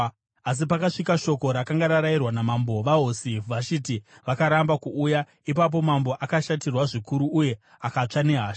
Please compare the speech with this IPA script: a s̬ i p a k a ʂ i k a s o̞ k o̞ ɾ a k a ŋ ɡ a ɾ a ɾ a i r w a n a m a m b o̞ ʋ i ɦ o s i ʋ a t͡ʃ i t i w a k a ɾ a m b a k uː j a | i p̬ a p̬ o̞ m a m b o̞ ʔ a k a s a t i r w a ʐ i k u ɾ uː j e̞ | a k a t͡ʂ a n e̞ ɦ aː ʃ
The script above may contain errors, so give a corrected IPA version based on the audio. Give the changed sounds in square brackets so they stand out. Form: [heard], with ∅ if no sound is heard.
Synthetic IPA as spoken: a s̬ i p a k a ʂ i k a [ʃ] o̞ k o̞ ɾ a k a ŋ ɡ a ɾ a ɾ a i r w a n a m a m b o̞ ʋ [a] ɦ o s i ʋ a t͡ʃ i t i [ʋ] a k a ɾ a m b a k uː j a | i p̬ a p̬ o̞ m a m b o̞ ʔ a k a [ʃ] a t i r w a ʐ i k u ɾ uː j e̞ | a k a t͡ʂ a n e̞ ɦ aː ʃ